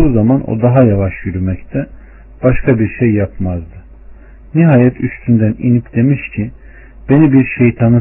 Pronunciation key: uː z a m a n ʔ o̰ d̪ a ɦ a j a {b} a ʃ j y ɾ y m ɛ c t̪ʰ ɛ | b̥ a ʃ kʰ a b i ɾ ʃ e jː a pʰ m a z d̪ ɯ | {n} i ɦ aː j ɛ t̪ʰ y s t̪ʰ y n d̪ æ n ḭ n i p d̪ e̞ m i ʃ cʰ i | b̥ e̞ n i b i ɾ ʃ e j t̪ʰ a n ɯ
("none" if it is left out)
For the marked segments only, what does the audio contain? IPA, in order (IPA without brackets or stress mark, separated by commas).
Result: v, n